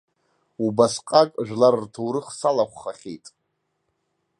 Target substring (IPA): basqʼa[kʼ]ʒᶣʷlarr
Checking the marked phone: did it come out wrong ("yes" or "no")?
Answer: no